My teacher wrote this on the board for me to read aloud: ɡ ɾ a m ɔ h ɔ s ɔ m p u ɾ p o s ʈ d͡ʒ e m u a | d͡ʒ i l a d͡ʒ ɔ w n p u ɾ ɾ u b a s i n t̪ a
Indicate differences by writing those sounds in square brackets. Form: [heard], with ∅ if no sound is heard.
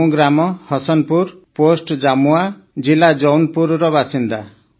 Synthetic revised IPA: ɡ ɾ a m ɔ h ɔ s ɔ [n] p u ɾ p o s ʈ d͡ʒ [a] m u a | d͡ʒ i l a d͡ʒ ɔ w n p u ɾ ɾ [ɔ] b a s i n [d̪] a